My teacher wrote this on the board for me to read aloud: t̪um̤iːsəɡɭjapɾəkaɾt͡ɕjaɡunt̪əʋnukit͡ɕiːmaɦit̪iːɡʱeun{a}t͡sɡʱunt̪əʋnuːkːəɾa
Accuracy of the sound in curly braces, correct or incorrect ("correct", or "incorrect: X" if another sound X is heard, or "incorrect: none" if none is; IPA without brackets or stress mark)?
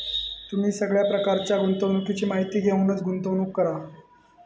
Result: incorrect: ə